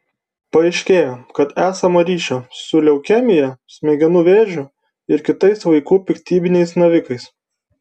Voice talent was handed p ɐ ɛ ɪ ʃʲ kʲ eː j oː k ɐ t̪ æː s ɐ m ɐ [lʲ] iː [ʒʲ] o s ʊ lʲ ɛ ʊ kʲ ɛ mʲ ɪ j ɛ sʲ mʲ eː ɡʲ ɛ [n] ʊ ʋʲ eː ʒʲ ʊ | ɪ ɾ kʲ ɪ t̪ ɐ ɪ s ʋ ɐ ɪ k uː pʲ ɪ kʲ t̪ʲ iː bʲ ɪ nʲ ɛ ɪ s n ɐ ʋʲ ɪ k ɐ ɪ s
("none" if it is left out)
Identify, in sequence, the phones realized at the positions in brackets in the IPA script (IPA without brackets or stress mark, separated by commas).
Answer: ɾʲ, ʃʲ, n